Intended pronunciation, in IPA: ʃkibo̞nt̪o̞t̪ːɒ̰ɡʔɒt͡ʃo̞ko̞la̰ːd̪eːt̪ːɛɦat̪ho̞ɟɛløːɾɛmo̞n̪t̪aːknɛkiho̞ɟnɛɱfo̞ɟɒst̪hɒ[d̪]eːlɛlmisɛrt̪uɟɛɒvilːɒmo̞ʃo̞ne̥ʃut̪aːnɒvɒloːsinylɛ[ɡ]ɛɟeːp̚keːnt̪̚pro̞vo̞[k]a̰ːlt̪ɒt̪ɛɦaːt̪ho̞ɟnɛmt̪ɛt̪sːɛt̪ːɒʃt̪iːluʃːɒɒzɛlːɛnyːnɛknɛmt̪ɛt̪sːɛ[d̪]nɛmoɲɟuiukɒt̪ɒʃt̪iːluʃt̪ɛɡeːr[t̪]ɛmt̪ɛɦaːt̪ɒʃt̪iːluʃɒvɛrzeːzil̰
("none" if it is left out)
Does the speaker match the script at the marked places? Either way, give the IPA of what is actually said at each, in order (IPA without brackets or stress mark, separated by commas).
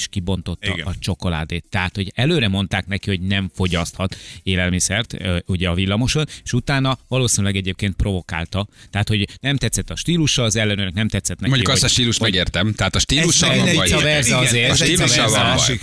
t̪, ɡ, k, t̪, t̪